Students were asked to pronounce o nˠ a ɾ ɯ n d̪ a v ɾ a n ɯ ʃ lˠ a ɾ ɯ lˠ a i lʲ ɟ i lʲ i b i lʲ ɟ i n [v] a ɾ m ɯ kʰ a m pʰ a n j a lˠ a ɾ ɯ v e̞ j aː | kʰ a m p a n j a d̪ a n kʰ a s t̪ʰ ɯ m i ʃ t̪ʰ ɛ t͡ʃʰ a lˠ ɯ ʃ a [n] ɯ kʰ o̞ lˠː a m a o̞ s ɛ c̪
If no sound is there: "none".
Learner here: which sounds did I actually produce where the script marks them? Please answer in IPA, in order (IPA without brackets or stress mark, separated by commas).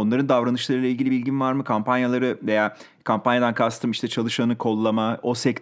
v, n